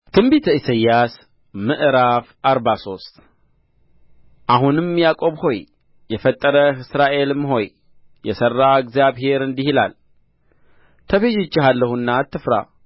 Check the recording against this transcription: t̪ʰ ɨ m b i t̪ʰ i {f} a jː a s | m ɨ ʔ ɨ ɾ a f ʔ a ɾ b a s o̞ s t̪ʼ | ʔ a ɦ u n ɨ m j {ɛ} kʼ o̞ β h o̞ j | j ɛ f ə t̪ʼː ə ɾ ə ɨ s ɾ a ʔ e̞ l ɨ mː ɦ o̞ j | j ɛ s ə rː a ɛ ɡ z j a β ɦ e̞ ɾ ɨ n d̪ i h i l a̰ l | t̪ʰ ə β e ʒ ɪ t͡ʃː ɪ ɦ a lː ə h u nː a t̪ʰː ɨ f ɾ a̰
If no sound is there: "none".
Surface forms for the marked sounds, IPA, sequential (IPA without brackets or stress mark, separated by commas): s, a